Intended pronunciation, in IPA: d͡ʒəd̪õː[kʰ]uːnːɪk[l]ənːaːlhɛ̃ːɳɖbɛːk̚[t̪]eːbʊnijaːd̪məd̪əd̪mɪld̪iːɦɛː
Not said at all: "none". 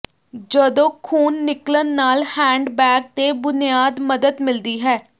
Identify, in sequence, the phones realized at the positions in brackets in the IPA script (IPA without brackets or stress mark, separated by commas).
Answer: kʰ, l, t̪